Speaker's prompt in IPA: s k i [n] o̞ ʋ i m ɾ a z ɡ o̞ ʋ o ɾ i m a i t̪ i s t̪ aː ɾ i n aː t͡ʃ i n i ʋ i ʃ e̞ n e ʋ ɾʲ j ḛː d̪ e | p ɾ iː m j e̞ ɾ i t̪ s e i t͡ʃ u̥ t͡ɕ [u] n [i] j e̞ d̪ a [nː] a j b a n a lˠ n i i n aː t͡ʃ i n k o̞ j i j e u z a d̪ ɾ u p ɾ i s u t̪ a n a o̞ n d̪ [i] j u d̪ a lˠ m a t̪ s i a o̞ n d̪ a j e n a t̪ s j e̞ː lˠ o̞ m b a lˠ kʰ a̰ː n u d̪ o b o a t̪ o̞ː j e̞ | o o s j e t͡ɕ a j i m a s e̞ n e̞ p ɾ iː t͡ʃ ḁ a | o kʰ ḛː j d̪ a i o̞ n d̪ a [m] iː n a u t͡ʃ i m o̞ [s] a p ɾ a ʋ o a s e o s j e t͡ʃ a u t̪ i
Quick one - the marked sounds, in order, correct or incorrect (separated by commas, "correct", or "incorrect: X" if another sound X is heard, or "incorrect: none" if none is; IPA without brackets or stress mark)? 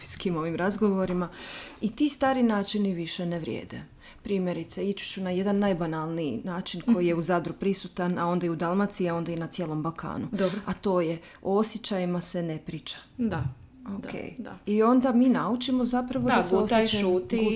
incorrect: m, correct, incorrect: a, correct, incorrect: a, correct, incorrect: z